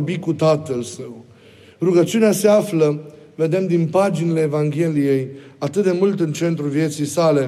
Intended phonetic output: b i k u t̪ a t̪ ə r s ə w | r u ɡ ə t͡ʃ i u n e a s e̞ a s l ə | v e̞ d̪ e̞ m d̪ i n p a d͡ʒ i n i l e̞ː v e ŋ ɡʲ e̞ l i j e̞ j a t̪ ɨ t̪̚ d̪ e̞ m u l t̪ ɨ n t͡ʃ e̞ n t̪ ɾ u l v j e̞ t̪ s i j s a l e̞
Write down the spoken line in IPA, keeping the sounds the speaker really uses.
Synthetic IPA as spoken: b i k u t̪ a t̪ ə l s ə w | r u ɡ ə t͡ʃ i u n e a s e̞ a f l ə | v e̞ d̪ e̞ m d̪ i n p a d͡ʒ i n i l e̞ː v a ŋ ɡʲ e̞ l i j e̞ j a t̪ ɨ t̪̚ d̪ e̞ m u l t̪ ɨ n t͡ʃ e̞ n t̪ ɾ u l v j e̞ t̪ s i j s a l e̞